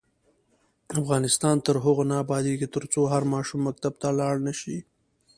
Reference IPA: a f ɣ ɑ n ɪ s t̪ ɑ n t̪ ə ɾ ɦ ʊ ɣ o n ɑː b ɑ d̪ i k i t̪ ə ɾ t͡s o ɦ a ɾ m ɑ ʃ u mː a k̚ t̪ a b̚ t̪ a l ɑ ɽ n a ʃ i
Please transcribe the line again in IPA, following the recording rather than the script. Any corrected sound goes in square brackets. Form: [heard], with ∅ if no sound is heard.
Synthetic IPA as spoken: a f ɣ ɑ n ɪ s t̪ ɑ n t̪ ə ɾ ɦ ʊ ɣ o n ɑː b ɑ d̪ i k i t̪ ə ɾ t͡s o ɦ a ɾ m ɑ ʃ u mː a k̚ t̪ a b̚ t̪ a l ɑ ɽ n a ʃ i